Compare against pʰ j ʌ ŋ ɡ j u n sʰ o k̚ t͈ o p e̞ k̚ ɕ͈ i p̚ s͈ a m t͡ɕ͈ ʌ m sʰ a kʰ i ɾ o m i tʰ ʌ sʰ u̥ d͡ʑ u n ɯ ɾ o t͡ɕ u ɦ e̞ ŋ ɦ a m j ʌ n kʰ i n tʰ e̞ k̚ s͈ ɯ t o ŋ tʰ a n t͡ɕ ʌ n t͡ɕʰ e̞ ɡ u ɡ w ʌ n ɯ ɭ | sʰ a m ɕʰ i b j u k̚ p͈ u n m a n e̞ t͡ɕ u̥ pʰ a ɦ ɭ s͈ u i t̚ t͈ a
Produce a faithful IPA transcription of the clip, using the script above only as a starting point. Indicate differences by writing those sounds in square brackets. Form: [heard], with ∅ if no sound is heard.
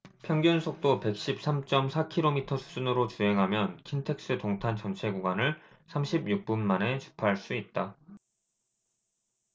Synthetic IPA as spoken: pʰ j ʌ ŋ ɡ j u n sʰ o k̚ t͈ o p e̞ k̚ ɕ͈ i p̚ s͈ a m t͡ɕ͈ ʌ m sʰ a kʰ i ɾ o m i tʰ ʌ sʰ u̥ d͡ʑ u n ɯ ɾ o t͡ɕ u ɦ e̞ ŋ ɦ a m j ʌ n kʰ i n tʰ e̞ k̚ s͈ ɯ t o ŋ tʰ a n t͡ɕ ʌ n t͡ɕʰ e̞ ɡ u ɡ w [a] n ɯ ɭ | sʰ a m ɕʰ i b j u k̚ p͈ u n m a n e̞ t͡ɕ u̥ pʰ a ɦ ɭ s͈ u i t̚ t͈ a

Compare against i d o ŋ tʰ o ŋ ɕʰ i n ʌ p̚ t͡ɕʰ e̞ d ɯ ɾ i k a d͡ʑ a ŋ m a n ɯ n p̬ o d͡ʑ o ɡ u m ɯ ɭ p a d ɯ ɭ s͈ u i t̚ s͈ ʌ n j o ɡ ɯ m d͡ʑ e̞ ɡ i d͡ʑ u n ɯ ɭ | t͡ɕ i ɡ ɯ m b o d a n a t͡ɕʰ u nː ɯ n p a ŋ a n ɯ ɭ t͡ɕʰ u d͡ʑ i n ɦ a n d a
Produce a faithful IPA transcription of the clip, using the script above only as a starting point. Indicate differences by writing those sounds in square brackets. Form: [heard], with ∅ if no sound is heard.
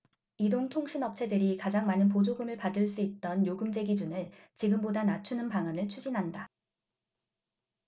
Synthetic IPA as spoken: i d o ŋ tʰ o ŋ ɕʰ i n ʌ p̚ t͡ɕʰ e̞ d ɯ ɾ i k a d͡ʑ a ŋ m a n ɯ n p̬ o d͡ʑ o ɡ [ɯ] m ɯ ɭ p a d ɯ ɭ s͈ u i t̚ [t͈] ʌ n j o ɡ ɯ m d͡ʑ e̞ ɡ i d͡ʑ u n ɯ ɭ | t͡ɕ i ɡ ɯ m b o d a n a t͡ɕʰ u [n] ɯ n p a ŋ a n ɯ ɭ t͡ɕʰ u d͡ʑ i n ɦ a n d a

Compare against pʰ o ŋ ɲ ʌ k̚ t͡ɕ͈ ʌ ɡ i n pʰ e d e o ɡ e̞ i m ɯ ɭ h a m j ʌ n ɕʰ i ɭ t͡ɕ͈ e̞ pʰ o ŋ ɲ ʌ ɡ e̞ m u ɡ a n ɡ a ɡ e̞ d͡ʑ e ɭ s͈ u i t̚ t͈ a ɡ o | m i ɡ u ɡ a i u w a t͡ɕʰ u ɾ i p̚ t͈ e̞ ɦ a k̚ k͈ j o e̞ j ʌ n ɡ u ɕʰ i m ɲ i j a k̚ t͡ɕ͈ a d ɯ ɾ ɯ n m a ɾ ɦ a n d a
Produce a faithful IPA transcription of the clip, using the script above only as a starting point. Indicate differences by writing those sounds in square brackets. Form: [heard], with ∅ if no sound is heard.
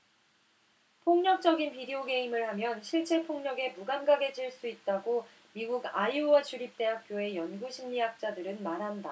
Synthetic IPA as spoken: pʰ o ŋ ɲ ʌ k̚ t͡ɕ͈ ʌ ɡ i n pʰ [i] d e o ɡ e̞ i m ɯ ɭ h a m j ʌ n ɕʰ i ɭ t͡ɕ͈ e̞ pʰ o ŋ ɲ ʌ ɡ e̞ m u ɡ a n ɡ a ɡ e̞ d͡ʑ [i] ɭ s͈ u i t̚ t͈ a ɡ o | m i ɡ u ɡ a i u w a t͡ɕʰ u ɾ i p̚ t͈ e̞ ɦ a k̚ k͈ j o e̞ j ʌ n ɡ u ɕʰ i m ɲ i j a k̚ t͡ɕ͈ a d ɯ ɾ ɯ n m a ɾ ɦ a n d a

